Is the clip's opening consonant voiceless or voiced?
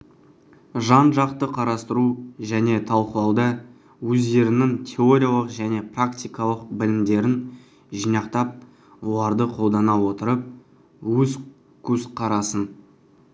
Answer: voiced